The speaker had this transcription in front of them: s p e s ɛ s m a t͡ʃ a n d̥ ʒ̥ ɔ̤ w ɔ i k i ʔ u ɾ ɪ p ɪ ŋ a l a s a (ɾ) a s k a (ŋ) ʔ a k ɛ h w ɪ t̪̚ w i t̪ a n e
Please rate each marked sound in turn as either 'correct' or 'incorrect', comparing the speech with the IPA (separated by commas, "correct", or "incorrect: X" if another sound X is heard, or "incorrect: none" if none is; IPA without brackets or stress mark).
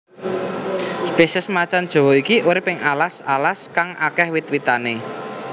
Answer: incorrect: l, correct